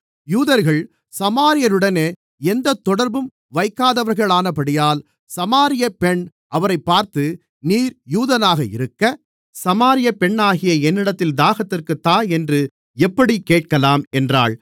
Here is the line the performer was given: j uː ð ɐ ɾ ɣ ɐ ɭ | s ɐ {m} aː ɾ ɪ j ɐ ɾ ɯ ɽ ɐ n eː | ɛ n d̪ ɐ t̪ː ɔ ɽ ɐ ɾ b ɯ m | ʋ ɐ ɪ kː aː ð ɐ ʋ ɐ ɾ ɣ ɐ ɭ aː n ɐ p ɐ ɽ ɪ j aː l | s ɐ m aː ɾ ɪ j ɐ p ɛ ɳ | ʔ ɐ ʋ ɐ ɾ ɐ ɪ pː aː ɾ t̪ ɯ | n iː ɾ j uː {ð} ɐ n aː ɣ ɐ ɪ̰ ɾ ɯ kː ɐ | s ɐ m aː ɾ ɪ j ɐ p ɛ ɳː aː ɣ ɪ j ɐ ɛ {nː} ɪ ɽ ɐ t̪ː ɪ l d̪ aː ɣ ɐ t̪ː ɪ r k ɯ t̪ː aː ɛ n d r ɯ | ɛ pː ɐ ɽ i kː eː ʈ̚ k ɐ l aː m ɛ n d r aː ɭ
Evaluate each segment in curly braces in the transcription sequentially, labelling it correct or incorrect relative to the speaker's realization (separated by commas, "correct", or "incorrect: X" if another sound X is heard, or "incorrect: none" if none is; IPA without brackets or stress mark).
correct, correct, correct